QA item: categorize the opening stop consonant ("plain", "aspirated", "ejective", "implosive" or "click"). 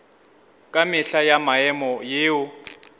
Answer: ejective